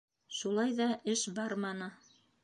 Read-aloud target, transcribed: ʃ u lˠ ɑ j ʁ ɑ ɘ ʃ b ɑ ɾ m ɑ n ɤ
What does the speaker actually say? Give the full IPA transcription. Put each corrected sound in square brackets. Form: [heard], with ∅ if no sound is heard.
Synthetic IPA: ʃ u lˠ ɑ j [ð] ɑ ɘ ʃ b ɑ ɾ m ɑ n ɤ